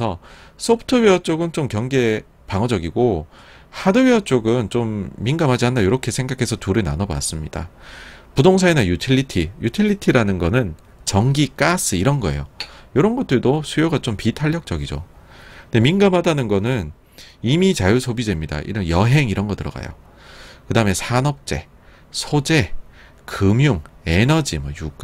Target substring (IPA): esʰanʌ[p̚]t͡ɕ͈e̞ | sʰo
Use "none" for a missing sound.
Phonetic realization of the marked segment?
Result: p̚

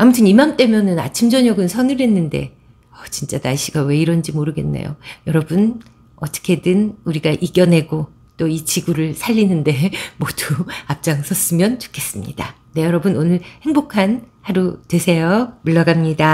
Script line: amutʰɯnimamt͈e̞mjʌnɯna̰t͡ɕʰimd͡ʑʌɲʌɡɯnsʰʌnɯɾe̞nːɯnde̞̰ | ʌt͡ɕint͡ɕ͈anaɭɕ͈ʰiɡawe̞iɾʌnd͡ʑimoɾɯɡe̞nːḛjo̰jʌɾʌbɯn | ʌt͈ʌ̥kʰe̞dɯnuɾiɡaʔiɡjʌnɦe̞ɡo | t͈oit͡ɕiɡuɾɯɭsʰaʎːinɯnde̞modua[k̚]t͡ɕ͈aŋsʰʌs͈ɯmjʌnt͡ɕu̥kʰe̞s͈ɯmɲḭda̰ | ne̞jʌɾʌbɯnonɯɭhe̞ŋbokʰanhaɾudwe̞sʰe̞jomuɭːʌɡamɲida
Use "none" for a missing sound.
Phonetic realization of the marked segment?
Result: p̚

